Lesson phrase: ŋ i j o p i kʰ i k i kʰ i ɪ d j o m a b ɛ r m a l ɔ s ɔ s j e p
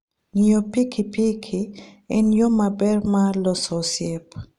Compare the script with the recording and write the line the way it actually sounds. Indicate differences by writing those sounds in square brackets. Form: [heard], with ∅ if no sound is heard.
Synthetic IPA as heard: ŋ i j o p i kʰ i [p] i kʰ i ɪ [n] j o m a b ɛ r m a l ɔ s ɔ s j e p